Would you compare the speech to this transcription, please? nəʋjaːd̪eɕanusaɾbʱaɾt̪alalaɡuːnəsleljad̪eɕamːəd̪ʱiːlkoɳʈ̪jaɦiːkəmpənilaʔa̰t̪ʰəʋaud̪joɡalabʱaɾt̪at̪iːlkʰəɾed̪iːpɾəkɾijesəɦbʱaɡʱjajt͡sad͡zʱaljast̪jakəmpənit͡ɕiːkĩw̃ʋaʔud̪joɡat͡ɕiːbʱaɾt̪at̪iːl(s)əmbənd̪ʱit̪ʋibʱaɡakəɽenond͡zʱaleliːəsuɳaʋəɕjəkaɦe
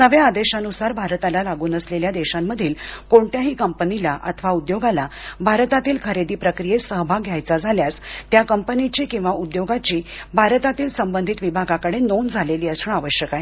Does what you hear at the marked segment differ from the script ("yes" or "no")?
no